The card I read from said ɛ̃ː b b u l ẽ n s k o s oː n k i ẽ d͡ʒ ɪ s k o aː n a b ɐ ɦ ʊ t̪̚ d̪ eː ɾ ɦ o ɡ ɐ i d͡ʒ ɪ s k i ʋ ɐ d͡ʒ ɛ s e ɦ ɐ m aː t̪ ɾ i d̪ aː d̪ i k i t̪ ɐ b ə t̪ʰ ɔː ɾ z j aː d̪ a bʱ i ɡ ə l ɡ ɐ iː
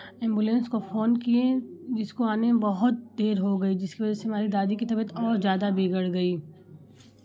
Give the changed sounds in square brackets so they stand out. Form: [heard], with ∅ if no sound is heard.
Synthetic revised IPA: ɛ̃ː [m] b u l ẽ n s k o [f] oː n k i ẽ d͡ʒ ɪ s k o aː n [e] b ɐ ɦ ʊ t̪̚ d̪ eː ɾ ɦ o ɡ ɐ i d͡ʒ ɪ s k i ʋ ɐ d͡ʒ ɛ s e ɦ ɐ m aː [∅] ɾ i d̪ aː d̪ i k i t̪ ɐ b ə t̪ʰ ɔː ɾ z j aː d̪ a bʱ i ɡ ə [ɽ] ɡ ɐ iː